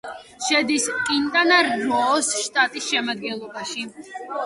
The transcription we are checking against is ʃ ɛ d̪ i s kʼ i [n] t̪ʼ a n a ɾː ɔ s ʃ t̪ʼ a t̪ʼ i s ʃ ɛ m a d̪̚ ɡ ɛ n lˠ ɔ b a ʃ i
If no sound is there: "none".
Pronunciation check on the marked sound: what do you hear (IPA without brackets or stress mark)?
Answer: n